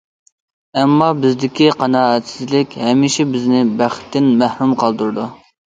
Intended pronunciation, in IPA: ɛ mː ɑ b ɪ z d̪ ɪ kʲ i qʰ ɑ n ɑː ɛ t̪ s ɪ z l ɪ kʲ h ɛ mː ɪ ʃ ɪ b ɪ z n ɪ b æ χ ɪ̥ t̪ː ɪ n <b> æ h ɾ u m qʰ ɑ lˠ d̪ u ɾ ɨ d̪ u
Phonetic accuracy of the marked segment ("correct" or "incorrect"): incorrect